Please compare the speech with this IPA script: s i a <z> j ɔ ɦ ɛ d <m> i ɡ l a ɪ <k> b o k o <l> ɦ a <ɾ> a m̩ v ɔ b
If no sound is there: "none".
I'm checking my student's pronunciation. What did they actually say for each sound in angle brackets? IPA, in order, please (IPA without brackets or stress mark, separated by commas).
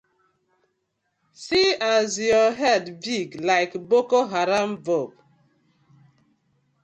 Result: z, b, k, none, ɾ